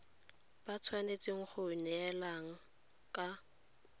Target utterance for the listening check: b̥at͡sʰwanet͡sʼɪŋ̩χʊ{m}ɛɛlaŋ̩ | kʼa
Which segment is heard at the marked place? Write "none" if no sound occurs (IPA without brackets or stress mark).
n